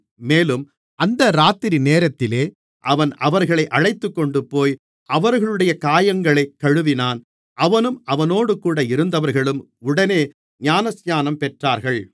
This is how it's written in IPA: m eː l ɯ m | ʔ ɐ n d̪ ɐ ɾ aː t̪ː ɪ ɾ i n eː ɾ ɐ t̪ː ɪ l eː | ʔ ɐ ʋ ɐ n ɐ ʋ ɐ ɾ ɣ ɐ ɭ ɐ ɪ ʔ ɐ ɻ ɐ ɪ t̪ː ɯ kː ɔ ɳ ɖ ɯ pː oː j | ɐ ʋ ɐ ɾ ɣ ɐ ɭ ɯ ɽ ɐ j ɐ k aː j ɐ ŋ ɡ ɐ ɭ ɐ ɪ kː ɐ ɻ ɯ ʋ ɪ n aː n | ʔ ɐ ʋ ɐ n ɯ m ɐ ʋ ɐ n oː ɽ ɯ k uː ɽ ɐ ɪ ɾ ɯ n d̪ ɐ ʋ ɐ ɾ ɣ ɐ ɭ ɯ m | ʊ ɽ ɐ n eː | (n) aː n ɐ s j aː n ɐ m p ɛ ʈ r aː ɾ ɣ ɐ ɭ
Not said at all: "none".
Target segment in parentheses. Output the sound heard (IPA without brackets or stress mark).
ɲ